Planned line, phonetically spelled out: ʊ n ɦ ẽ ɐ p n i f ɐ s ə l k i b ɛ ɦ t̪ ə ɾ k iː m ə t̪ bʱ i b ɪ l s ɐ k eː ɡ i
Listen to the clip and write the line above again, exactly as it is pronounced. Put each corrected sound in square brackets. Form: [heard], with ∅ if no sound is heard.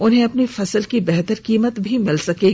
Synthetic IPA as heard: ʊ n ɦ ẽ ɐ p n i f ɐ s ə l k i b ɛ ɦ t̪ ə ɾ k iː m ə t̪ bʱ i [m] ɪ l s ɐ k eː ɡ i